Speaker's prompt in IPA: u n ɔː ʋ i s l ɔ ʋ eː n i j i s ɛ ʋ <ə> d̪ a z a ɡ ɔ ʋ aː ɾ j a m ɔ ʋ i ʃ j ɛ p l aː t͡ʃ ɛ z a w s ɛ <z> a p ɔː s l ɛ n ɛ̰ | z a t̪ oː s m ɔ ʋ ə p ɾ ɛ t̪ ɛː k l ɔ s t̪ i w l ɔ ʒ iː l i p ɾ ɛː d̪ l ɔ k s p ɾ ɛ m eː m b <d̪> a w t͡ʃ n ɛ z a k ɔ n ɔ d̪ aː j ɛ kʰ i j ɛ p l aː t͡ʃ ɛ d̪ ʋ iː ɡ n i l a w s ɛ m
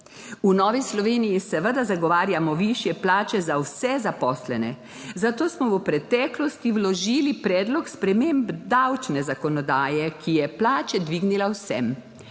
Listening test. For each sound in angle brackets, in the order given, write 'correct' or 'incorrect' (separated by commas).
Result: correct, correct, correct